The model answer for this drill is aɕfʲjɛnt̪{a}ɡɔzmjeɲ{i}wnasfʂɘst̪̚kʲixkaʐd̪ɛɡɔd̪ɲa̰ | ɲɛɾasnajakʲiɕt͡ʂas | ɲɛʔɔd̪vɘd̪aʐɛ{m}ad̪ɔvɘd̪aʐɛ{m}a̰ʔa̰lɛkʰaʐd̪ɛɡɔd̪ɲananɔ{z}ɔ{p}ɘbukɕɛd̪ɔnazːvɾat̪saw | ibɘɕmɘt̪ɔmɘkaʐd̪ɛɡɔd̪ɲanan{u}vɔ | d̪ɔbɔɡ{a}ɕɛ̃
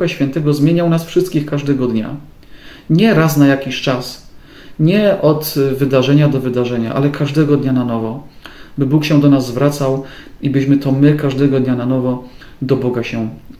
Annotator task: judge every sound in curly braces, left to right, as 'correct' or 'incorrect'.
incorrect: ɛ, incorrect: a, incorrect: ɲ, incorrect: ɲ, incorrect: v, incorrect: b, incorrect: ɔ, correct

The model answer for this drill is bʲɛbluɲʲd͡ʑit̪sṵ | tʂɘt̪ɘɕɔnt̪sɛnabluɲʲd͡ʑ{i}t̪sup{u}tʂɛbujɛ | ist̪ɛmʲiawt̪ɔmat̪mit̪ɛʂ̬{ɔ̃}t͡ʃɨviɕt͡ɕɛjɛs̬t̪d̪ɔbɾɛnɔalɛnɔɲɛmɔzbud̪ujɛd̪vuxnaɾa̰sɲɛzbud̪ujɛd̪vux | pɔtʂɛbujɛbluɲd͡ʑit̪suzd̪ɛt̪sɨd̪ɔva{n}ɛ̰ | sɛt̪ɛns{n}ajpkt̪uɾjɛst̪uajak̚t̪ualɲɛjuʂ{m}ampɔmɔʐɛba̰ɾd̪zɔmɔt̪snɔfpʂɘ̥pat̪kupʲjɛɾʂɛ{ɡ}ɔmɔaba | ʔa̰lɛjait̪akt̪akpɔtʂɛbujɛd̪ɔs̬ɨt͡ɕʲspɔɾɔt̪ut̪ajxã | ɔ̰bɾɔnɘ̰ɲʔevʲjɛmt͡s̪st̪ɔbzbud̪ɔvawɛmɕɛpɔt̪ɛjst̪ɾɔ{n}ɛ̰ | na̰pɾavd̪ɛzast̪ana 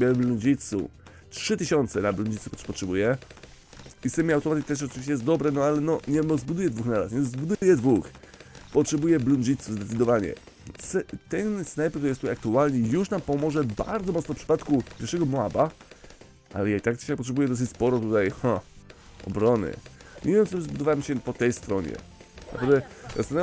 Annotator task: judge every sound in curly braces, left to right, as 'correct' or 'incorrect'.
correct, incorrect: ɔ, incorrect: ɔ, incorrect: ɲ, correct, incorrect: n, correct, incorrect: ɲ

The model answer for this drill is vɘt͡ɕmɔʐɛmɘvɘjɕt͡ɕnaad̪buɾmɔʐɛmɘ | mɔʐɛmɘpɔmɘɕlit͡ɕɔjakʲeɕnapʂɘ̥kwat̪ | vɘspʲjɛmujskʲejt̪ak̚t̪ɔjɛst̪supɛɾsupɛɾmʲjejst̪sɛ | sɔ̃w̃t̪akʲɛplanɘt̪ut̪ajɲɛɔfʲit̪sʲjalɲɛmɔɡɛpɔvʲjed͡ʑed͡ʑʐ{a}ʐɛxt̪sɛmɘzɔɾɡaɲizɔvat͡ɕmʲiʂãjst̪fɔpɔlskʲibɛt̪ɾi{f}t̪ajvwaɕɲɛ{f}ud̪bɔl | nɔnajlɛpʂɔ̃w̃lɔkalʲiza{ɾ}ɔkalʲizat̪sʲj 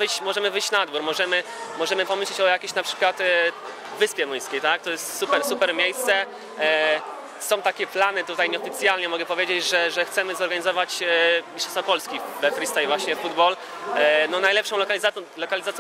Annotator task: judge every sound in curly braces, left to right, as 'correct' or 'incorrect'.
incorrect: ɛ, incorrect: s, correct, incorrect: l

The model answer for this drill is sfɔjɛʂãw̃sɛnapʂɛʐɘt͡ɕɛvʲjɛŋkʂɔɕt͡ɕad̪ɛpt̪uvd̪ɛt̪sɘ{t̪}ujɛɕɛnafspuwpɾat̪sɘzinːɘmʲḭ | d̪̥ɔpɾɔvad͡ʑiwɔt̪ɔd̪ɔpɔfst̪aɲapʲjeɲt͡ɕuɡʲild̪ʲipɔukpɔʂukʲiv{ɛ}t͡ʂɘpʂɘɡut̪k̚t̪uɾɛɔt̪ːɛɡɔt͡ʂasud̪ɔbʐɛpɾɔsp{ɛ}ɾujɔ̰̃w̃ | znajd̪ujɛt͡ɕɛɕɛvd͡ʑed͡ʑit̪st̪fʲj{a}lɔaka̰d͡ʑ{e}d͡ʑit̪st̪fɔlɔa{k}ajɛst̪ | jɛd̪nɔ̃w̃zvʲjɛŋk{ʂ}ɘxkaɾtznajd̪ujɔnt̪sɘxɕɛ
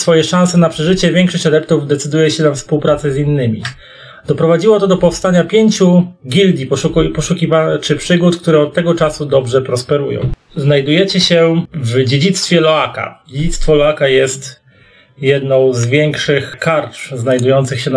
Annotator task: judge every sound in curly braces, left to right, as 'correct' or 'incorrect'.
incorrect: d̪, incorrect: a, correct, incorrect: ɛ, correct, correct, correct

